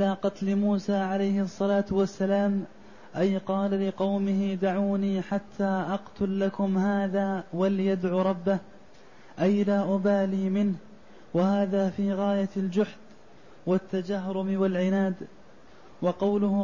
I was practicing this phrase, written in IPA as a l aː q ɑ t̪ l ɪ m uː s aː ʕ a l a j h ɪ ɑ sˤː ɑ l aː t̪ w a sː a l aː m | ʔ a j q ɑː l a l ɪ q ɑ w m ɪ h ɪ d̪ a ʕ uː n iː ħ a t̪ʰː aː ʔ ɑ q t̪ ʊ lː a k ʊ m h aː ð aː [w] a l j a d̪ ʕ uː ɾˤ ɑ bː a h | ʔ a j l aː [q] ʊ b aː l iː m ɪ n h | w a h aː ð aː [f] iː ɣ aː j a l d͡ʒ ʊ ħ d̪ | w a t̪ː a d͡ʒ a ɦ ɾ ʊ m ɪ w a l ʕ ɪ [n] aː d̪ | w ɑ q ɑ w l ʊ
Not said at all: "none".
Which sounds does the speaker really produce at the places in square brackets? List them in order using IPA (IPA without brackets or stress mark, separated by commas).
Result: w, ʔ, f, n